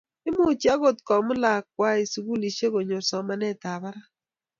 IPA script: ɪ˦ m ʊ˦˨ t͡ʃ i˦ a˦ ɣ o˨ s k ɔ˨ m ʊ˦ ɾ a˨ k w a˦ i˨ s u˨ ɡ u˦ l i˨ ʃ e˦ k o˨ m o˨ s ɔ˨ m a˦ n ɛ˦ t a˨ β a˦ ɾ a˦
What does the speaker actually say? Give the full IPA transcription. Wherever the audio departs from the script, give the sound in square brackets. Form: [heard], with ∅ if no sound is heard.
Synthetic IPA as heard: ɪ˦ m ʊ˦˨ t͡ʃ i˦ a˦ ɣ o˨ [t] k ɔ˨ m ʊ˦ [l] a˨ k w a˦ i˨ s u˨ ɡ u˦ l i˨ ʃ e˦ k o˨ [ɲ] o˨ s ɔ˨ m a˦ n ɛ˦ t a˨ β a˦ ɾ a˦